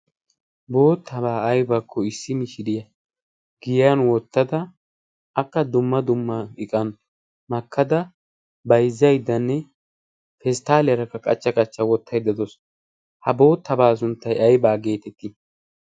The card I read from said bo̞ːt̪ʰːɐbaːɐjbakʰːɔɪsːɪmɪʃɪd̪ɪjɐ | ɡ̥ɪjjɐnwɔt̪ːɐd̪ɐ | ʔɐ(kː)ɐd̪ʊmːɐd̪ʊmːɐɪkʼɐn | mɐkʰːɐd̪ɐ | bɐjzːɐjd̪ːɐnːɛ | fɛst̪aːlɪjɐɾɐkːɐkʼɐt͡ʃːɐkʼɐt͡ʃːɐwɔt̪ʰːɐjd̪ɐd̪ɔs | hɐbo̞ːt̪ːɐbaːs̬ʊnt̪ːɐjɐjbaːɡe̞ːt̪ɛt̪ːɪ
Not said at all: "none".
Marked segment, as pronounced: kː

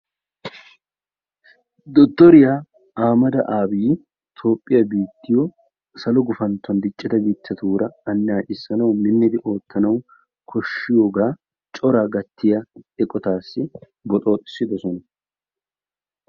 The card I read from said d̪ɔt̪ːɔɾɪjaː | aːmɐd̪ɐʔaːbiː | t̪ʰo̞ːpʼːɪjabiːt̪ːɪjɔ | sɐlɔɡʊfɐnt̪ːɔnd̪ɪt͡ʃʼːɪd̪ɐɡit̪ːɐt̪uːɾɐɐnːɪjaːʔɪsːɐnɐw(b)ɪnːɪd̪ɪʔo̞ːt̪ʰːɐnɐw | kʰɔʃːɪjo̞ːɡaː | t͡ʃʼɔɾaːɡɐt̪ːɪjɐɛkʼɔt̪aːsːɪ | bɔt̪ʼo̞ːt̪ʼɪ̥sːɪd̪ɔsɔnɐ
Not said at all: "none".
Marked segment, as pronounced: m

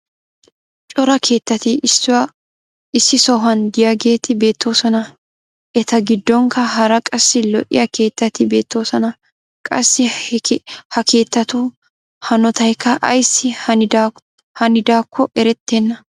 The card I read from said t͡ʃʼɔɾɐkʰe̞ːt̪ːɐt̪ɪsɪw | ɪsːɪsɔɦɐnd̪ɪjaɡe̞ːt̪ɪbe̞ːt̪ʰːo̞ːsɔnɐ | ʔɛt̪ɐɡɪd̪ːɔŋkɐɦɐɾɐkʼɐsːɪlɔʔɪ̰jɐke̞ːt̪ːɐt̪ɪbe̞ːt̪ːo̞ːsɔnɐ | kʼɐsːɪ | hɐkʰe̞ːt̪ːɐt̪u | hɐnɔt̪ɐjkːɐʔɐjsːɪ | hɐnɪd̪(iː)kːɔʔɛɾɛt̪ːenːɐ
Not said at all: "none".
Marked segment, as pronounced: aː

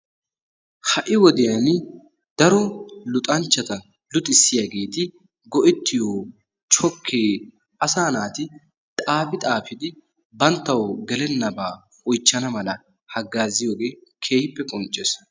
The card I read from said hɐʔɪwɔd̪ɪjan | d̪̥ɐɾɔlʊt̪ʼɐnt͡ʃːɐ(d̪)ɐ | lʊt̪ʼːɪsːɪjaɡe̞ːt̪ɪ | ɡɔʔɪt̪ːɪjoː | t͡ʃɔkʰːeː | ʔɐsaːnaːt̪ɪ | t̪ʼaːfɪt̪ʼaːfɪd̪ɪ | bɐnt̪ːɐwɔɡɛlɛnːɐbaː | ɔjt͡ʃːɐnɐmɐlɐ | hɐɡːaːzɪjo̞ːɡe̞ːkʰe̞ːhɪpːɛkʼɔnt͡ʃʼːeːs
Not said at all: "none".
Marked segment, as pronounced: t̪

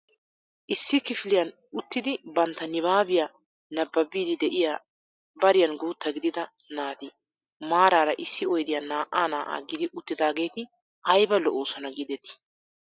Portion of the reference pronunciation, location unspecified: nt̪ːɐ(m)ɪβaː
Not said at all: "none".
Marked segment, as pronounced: n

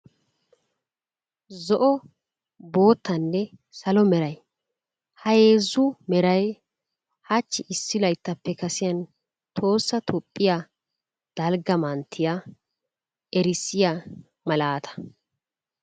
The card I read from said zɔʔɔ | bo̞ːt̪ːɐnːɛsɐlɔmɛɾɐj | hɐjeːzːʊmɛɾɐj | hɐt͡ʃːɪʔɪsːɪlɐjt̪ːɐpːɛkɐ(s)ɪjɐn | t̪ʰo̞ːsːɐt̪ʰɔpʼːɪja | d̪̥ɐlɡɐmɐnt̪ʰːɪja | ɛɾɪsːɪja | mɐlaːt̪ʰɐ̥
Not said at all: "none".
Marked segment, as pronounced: s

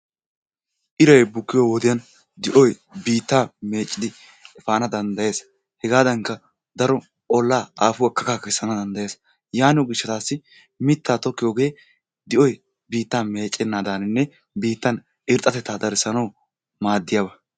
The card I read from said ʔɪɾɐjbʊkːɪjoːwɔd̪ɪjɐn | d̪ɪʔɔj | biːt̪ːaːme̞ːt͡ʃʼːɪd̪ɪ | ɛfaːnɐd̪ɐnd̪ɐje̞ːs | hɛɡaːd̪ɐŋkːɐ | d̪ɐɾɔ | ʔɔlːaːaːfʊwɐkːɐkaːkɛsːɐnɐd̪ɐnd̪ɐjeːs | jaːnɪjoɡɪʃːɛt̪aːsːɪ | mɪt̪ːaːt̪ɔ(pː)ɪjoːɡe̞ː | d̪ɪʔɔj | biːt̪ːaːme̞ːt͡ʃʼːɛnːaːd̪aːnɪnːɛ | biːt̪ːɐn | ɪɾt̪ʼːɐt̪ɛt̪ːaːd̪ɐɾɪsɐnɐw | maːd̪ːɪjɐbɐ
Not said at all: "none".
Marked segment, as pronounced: kː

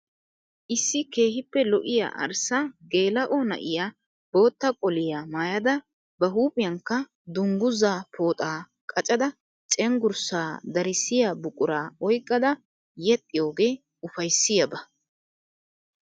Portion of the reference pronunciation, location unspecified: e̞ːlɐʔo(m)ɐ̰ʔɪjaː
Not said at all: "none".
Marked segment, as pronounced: n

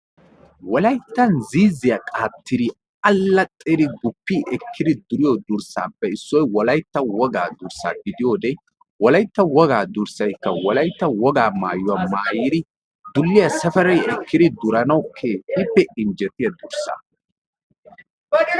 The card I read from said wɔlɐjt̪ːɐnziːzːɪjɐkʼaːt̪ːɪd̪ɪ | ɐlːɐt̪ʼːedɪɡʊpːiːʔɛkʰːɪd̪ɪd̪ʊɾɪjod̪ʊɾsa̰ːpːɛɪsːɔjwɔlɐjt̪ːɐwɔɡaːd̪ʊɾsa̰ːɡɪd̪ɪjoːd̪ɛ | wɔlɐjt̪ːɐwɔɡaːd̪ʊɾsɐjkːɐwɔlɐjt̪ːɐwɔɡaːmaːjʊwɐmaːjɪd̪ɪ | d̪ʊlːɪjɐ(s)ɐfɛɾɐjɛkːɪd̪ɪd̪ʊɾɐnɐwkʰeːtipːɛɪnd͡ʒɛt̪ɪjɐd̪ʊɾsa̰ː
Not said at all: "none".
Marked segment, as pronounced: s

